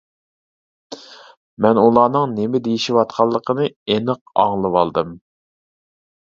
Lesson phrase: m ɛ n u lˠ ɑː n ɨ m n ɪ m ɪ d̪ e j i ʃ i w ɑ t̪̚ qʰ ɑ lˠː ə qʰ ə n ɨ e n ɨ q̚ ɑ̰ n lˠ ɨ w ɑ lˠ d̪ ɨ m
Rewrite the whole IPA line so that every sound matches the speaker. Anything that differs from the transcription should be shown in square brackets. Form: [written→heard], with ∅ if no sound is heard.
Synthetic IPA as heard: m ɛ n u lˠ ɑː n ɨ [m→ŋ] n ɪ m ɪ d̪ e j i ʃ i w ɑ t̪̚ qʰ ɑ lˠː ə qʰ ə n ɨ e n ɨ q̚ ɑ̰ [n→ŋ] lˠ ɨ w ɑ lˠ d̪ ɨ m